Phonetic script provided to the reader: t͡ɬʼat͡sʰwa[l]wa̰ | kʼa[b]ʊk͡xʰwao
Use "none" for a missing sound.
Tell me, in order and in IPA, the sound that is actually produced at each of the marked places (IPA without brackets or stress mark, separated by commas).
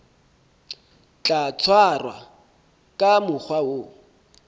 r, m